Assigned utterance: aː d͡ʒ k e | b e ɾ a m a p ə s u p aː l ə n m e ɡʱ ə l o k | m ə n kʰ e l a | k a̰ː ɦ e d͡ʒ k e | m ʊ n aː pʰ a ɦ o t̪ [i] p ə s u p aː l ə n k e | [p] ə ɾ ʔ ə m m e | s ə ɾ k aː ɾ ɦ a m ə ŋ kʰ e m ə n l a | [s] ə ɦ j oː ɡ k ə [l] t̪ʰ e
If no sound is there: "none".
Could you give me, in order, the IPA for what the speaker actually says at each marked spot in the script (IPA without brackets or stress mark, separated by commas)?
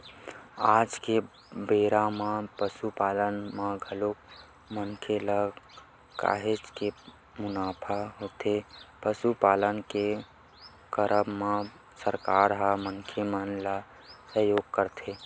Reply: e, k, s, ɾ